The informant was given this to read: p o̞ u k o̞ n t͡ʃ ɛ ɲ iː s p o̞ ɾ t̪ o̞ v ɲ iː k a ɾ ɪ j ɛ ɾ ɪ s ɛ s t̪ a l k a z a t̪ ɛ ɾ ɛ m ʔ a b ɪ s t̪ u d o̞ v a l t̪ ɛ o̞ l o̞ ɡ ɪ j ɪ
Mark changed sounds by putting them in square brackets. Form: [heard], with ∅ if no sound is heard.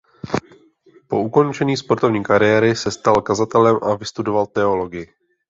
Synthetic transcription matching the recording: p o̞ u k o̞ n t͡ʃ ɛ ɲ iː s p o̞ ɾ t̪ o̞ v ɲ iː k a ɾ ɪ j ɛ ɾ ɪ s ɛ s t̪ a l k a z a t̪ ɛ [l] ɛ m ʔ a [v] ɪ s t̪ u d o̞ v a l t̪ ɛ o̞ l o̞ ɡ ɪ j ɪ

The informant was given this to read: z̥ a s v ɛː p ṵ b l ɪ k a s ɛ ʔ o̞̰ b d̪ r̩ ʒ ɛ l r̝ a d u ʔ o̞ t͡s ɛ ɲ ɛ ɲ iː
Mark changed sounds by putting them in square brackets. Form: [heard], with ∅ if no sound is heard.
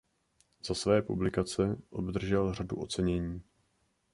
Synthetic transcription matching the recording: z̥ a s v ɛː p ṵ b l ɪ k a [t͡s] ɛ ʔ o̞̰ b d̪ r̩ ʒ ɛ l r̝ a d u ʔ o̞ t͡s ɛ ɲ ɛ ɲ iː

